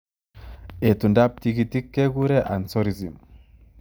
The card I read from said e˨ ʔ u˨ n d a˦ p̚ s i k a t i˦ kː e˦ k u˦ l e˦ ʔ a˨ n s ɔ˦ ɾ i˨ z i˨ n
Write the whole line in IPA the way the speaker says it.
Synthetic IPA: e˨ t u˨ n d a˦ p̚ t i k i t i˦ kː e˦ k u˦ ɾ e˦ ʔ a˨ n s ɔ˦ ɾ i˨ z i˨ m